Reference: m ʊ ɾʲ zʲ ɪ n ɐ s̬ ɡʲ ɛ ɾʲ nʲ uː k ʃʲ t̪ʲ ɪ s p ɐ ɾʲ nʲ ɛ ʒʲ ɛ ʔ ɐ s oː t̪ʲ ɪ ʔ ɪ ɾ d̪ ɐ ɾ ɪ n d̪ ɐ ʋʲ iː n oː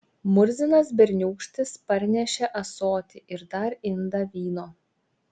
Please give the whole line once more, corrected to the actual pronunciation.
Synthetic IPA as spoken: m ʊ ɾʲ zʲ ɪ n ɐ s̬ bʲ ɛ ɾʲ nʲ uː k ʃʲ t̪ʲ ɪ s p ɐ ɾʲ nʲ ɛ ʃʲ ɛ ʔ ɐ s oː t̪ʲ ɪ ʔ ɪ ɾ d̪ ɐ ɾ ɪ n d̪ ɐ ʋʲ iː n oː

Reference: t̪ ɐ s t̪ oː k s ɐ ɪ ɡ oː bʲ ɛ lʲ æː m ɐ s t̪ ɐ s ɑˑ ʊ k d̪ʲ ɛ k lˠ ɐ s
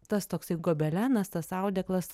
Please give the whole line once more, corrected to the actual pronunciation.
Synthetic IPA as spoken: t̪ ɐ s t̪ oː k s ɐ ɪ ɡ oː bʲ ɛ lʲ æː n ɐ s t̪ ɐ s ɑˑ ʊ d̪ʲ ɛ k lˠ ɐ s

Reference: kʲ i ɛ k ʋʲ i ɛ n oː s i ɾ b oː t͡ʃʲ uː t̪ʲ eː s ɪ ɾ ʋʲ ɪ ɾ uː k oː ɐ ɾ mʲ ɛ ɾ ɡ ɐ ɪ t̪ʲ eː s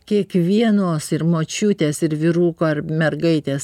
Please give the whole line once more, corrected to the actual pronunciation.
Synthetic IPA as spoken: kʲ i ɛ k ʋʲ i ɛ n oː s ɪ ɾ m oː t͡ʃʲ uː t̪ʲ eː s ɪ ɾ ʋʲ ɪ ɾ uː k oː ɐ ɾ mʲ ɛ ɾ ɡ ɐ ɪ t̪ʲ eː s

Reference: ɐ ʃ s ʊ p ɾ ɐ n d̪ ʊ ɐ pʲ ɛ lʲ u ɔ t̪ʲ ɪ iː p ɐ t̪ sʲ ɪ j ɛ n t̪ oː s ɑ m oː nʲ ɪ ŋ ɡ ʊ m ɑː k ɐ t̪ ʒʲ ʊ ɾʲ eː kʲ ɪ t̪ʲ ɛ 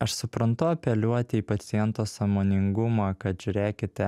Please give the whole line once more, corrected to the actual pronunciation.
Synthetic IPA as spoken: ɐ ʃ s ʊ p ɾ ɐ n t̪ ʊ ɐ pʲ ɛ lʲ u ɔ t̪ʲ ɪ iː p ɐ t̪ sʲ ɪ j ɛ n t̪ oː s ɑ m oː nʲ ɪ ŋ ɡ ʊ m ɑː k ɐ t̪ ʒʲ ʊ ɾʲ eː kʲ ɪ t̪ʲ ɛ

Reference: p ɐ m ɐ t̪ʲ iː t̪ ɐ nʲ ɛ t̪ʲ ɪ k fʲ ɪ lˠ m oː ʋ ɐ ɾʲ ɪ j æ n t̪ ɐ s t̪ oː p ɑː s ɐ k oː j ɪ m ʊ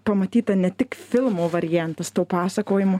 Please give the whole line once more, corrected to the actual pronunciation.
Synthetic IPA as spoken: p ɐ m ɐ t̪ʲ iː t̪ ɐ nʲ ɛ t̪ʲ ɪ k fʲ ɪ lˠ m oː ʋ ɐ ɾʲ ɪ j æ n t̪ ɐ s t̪ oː p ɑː s ɐ k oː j ɪ m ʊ

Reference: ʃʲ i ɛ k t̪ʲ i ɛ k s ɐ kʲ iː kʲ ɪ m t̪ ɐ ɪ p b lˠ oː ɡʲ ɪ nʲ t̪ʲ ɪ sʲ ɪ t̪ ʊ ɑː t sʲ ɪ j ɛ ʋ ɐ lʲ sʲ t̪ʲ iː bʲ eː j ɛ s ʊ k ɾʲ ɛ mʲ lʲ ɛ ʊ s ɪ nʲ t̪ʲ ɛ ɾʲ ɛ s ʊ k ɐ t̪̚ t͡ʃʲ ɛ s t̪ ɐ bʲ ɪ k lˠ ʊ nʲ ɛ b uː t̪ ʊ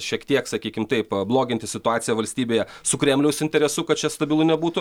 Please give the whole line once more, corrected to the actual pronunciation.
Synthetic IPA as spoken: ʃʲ i ɛ k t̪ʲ i ɛ k s ɐ kʲ iː kʲ ɪ m t̪ ɐ ɪ p b lˠ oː ɡʲ ɪ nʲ t̪ʲ ɪ sʲ ɪ t̪ ʊ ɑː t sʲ ɪ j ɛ ʋ ɐ lʲ sʲ t̪ʲ iː bʲ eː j ɛ s ʊ k ɾʲ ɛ mʲ lʲ ɛ ʊ s ɪ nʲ t̪ʲ ɛ ɾʲ ɛ s ʊ k ɐ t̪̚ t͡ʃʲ ɛ s t̪ ɐ bʲ ɪ lˠ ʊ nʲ ɛ b uː t̪ ʊ

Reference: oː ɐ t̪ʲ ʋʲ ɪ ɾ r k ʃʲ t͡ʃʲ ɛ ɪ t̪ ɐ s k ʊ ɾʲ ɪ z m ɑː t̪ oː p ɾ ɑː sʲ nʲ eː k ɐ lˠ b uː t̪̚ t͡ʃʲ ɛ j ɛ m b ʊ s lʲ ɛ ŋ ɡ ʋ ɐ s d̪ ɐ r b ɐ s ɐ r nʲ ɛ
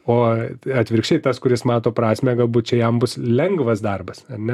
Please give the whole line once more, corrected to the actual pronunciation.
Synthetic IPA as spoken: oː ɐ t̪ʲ ʋʲ ɪ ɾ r k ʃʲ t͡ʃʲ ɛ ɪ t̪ ɐ s k ʊ ɾʲ ɪ s m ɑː t̪ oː p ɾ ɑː sʲ mʲ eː ɡ ɐ lˠ b uː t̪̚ t͡ʃʲ ɛ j ɛ m b ʊ s lʲ ɛ ŋ ɡ ʋ ɐ s d̪ ɐ r b ɐ s ɐ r nʲ ɛ

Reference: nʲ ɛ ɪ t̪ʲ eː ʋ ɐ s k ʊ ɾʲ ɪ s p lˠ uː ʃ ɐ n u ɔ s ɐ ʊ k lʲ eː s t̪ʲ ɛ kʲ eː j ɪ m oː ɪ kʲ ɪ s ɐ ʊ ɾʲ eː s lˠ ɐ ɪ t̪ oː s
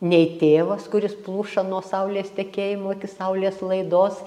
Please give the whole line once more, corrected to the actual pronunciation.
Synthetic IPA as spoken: nʲ ɛ ɪ t̪ʲ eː ʋ ɐ s k ʊ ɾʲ ɪ s p lˠ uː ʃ ɐ n u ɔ s ɐ ʊ lʲ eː s t̪ʲ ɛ kʲ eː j ɪ m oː ɪ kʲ ɪ s ɐ ʊ lʲ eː s lˠ ɐ ɪ d̪ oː s

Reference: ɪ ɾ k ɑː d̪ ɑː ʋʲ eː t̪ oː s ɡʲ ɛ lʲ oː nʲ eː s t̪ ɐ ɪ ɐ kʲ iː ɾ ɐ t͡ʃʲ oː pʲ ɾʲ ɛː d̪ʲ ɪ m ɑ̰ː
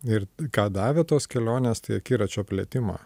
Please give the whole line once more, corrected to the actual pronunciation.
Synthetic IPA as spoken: ɪ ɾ k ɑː d̪ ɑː ʋʲ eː t̪ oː s kʲ ɛ lʲ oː nʲ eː s t̪ ɐ ɪ ɐ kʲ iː ɾ ɐ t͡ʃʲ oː pʲ lʲ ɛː t̪ʲ ɪ m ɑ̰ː

